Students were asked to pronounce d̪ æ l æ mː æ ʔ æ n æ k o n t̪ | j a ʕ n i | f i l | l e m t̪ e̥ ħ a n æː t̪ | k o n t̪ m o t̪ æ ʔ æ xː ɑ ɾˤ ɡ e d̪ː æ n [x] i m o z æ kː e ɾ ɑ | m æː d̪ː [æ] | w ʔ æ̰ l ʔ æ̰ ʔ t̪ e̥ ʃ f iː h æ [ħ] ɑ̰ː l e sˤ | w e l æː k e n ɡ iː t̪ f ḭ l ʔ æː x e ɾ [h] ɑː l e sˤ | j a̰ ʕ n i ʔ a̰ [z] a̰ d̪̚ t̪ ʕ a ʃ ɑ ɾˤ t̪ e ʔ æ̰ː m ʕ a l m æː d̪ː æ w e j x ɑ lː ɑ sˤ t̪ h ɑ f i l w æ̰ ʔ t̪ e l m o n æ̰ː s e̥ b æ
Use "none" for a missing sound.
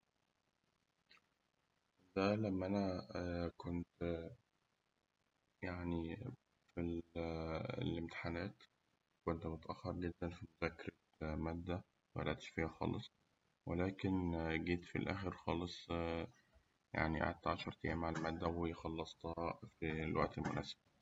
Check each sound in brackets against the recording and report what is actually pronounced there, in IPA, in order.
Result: f, æ, x, x, ʕ

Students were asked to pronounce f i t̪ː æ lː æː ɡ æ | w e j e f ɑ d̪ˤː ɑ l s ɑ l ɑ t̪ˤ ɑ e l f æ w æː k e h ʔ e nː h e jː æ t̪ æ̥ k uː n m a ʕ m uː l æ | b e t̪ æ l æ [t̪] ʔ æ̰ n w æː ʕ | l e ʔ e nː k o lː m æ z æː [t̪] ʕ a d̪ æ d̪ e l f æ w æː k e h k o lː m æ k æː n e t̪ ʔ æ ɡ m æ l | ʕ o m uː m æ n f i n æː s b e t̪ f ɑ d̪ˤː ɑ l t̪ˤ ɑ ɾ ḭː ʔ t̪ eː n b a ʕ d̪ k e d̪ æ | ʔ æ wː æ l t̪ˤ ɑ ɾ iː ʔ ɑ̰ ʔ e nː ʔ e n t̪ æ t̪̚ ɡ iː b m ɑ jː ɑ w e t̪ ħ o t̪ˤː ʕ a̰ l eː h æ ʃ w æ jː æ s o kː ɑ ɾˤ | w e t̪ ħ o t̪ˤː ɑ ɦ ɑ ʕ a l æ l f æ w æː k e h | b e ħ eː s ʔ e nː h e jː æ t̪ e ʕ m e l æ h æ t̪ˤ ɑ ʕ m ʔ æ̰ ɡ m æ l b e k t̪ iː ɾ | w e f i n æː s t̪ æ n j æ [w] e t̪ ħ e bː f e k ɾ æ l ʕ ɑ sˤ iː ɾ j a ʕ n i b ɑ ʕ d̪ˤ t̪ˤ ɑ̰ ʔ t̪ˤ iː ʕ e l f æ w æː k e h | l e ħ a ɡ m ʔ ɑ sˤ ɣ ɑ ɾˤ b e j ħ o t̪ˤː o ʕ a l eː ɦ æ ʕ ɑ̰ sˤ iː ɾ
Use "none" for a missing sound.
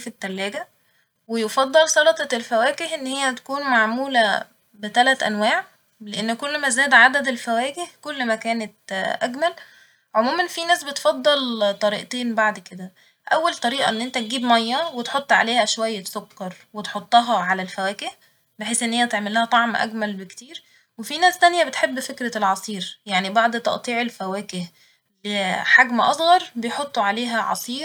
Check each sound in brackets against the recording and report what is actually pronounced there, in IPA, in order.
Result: t̪, d̪, b

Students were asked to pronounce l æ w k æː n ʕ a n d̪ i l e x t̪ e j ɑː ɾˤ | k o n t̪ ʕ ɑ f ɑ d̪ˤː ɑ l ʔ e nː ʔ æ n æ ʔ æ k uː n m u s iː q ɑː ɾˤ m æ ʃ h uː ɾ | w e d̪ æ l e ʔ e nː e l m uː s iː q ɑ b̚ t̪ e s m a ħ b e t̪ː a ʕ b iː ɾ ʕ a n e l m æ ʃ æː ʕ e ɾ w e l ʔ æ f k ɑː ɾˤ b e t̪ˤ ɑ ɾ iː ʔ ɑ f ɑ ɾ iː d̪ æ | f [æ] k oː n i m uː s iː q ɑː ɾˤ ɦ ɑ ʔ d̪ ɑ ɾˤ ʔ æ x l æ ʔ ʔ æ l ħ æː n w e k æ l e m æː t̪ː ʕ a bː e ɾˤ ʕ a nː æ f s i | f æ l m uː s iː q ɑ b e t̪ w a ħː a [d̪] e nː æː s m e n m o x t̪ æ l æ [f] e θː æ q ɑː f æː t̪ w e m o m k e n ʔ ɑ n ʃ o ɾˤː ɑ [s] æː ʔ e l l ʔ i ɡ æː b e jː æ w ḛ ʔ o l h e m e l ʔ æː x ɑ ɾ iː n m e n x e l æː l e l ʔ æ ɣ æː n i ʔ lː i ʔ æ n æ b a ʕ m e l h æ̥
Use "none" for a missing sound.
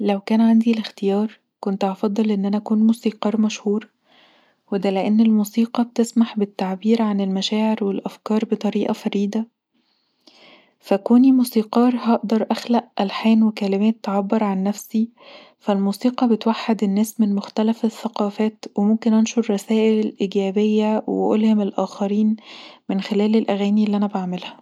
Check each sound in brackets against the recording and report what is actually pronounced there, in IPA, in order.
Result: æ, d̪, f, s

